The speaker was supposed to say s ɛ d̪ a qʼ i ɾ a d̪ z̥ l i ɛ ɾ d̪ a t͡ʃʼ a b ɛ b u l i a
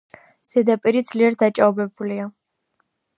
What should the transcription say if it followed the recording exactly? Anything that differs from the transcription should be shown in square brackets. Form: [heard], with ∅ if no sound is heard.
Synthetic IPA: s ɛ d̪ a [pʼ] i ɾ [i] d̪ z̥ l i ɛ ɾ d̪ a t͡ʃʼ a b ɛ b u l i a